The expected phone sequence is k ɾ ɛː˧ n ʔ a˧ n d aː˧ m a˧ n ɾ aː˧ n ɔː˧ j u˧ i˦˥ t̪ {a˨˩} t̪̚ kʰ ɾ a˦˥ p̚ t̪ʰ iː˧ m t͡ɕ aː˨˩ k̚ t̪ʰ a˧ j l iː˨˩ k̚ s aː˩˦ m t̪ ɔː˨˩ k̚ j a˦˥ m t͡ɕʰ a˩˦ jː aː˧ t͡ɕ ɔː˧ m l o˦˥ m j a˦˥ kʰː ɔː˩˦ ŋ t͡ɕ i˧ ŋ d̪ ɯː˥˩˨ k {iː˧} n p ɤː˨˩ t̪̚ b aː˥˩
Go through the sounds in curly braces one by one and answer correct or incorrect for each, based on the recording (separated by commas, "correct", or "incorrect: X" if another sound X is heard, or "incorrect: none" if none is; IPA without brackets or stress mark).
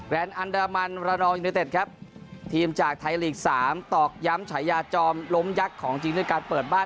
incorrect: e˨˩, incorrect: aː˧